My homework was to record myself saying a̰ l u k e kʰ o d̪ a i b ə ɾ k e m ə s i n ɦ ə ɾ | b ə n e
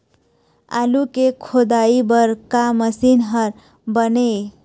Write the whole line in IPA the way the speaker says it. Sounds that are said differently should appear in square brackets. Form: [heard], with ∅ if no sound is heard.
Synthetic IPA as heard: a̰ l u k e kʰ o d̪ a i b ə ɾ k [a] m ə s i n ɦ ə ɾ | b ə n e